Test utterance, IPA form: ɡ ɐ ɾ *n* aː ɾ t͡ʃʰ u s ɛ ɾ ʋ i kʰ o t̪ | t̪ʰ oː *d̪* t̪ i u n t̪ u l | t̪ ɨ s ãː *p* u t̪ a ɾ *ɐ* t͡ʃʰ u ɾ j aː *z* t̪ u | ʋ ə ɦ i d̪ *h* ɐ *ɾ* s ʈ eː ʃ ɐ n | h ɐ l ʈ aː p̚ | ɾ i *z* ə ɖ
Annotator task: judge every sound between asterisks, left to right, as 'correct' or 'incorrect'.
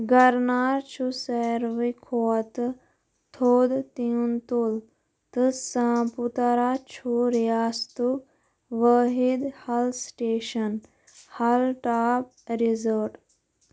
correct, correct, correct, incorrect, incorrect, correct, incorrect, correct

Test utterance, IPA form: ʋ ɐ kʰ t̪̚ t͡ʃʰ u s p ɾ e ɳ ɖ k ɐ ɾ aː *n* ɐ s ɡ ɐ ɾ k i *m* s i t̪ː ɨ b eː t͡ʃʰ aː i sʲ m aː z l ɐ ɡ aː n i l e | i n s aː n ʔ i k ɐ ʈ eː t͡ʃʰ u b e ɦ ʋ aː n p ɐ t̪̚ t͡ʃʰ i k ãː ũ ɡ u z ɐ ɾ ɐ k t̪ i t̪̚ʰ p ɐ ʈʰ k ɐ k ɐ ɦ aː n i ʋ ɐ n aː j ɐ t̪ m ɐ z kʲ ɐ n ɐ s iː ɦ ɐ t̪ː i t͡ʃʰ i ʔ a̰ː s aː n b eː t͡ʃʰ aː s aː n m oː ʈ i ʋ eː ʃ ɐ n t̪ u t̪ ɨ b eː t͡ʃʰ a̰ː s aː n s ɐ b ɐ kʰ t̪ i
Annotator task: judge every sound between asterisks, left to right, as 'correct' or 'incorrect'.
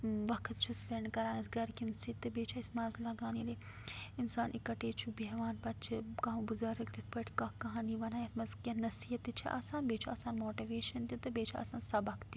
correct, incorrect

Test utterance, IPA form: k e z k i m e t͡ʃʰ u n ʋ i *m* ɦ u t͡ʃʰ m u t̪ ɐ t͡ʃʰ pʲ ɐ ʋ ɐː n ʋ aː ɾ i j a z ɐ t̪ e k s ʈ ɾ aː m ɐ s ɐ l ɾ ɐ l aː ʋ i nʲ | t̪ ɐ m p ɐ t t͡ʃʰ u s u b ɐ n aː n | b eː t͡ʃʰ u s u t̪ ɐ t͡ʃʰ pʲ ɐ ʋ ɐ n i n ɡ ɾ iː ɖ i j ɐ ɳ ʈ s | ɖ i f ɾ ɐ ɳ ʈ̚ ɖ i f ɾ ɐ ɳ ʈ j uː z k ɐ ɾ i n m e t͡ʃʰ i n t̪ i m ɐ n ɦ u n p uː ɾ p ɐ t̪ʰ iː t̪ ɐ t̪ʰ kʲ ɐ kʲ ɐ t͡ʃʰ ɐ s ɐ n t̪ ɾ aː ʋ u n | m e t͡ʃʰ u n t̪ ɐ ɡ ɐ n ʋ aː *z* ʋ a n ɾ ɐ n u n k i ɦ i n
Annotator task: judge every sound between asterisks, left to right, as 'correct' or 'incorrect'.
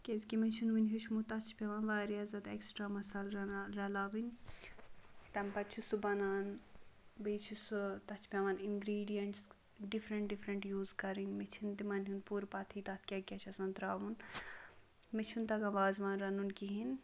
incorrect, correct

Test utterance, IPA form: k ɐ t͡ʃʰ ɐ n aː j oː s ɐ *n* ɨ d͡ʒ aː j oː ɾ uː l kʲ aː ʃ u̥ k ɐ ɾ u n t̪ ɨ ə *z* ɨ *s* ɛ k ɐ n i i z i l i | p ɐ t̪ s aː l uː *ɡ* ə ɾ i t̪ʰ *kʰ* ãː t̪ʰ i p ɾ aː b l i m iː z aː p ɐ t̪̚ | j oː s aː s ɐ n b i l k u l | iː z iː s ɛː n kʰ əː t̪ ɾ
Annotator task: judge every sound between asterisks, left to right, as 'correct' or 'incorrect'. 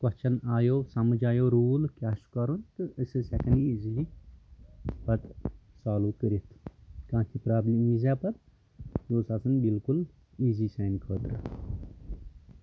incorrect, incorrect, correct, incorrect, incorrect

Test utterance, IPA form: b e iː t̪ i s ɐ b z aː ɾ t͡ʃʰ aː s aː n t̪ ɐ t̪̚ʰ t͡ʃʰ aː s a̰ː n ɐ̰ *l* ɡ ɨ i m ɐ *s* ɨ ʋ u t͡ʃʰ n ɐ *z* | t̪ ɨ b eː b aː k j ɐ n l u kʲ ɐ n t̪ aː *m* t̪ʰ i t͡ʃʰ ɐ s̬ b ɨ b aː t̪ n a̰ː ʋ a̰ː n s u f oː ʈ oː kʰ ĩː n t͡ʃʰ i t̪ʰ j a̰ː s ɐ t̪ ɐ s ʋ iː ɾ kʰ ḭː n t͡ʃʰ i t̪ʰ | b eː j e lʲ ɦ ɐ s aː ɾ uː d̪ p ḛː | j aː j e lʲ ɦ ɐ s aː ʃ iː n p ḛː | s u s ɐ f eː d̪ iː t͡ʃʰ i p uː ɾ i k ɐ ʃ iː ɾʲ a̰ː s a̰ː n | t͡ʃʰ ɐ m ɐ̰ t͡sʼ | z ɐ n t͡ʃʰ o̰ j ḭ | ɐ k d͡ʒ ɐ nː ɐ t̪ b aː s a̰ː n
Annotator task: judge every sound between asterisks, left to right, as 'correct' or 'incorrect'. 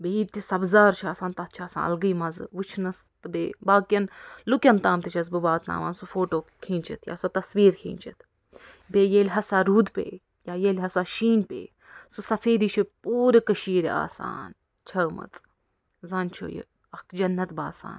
correct, incorrect, incorrect, correct

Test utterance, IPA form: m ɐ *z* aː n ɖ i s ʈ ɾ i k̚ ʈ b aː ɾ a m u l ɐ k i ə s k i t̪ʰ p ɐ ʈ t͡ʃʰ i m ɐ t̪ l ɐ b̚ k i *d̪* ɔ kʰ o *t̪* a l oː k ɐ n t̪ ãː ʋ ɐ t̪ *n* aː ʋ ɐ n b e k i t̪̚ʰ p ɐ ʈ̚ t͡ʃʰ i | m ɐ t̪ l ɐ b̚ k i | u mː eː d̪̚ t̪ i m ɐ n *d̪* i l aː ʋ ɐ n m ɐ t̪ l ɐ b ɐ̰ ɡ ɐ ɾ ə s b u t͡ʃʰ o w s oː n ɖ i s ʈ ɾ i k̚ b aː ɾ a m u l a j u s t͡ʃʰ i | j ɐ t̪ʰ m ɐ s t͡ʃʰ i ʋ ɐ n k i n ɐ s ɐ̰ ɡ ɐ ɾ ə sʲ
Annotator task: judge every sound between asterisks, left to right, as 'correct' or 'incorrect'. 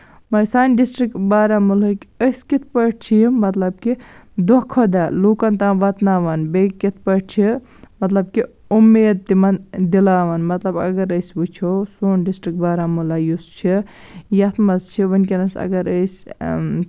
incorrect, correct, incorrect, correct, correct

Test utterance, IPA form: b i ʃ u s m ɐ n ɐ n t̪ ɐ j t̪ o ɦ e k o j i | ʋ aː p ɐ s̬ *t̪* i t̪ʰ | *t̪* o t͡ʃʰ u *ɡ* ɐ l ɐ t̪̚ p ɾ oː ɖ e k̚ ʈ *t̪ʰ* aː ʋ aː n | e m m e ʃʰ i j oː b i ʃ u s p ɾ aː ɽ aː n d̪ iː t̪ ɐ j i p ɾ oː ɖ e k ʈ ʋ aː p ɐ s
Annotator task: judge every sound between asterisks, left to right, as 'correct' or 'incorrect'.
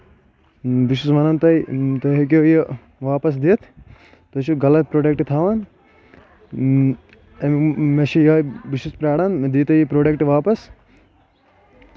incorrect, correct, correct, correct

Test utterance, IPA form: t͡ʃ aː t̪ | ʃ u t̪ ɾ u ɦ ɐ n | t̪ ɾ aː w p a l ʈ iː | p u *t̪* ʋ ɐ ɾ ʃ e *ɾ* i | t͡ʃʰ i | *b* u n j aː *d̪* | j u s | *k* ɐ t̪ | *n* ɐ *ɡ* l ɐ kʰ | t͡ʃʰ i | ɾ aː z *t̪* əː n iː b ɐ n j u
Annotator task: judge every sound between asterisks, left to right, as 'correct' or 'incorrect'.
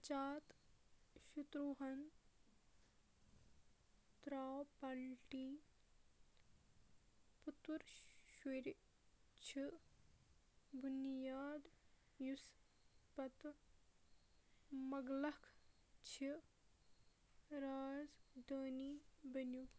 correct, correct, correct, correct, incorrect, incorrect, correct, incorrect

